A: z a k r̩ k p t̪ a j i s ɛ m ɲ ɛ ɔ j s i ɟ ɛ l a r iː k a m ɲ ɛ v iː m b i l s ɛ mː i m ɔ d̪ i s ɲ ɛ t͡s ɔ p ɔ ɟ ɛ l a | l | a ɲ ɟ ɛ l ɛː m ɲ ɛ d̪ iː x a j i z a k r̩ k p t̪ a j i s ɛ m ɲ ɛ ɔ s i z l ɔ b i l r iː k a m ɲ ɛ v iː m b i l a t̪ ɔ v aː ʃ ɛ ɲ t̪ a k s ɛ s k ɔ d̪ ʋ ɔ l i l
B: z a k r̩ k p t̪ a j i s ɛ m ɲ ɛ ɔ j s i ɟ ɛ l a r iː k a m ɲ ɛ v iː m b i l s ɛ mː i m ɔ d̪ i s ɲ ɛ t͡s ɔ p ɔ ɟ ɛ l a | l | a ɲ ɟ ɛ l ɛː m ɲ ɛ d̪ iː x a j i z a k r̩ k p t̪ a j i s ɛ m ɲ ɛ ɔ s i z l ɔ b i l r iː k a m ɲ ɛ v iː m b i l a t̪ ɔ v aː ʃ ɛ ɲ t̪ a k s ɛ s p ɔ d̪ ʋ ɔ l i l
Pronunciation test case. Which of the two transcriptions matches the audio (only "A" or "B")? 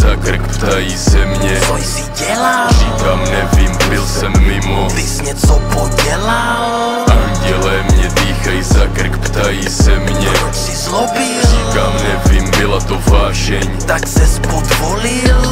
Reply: B